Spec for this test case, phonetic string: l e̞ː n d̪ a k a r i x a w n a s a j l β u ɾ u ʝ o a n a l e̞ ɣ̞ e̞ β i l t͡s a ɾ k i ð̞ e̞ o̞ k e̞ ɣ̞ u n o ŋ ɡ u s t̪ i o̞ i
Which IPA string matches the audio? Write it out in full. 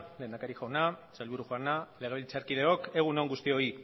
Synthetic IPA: l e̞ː n d̪ a k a ɾ i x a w n a s a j l β u ɾ u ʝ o a n a l e̞ ɣ̞ e̞ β i l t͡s a ɾ k i ð̞ e̞ o̞ k e̞ ɣ̞ u n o ŋ ɡ u s t̪ i o̞ i